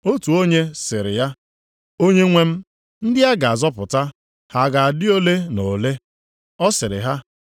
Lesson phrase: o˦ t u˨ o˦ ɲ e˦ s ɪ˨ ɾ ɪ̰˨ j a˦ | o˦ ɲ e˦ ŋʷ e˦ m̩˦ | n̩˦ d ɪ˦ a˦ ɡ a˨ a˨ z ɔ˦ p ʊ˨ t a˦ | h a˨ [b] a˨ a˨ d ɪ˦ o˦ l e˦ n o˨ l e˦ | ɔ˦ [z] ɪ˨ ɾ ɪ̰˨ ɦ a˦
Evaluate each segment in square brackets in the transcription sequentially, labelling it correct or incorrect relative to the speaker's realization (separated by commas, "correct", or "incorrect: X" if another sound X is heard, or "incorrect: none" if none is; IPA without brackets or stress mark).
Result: incorrect: ɡ, incorrect: s